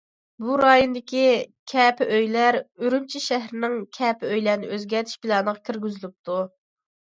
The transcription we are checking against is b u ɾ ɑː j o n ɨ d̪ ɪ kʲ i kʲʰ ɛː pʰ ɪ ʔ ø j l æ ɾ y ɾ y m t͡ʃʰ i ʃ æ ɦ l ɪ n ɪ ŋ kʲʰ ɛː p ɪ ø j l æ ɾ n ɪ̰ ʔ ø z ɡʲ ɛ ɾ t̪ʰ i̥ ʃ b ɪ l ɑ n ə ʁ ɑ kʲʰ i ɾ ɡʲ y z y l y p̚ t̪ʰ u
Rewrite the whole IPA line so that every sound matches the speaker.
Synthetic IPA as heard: b u ɾ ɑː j o n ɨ d̪ ɪ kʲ i kʲʰ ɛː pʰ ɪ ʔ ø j l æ ɾ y ɾ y m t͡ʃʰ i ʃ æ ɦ ɾ ɪ n ɪ ŋ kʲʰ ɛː p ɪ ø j l æ ɾ n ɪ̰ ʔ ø z ɡʲ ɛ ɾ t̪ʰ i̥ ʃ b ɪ l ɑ n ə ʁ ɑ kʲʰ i ɾ ɡʲ y z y l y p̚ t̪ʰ u